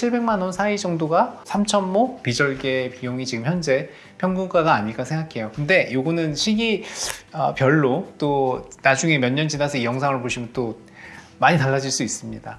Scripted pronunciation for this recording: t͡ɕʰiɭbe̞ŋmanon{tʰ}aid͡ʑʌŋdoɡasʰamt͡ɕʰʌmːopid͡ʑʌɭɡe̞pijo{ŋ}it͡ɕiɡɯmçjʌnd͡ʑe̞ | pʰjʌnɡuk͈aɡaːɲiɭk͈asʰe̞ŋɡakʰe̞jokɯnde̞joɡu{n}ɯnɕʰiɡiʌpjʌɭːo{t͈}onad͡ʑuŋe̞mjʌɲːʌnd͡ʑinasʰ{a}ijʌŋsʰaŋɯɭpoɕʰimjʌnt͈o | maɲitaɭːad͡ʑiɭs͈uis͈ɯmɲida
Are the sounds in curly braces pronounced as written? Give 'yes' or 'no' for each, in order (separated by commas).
no, yes, yes, yes, no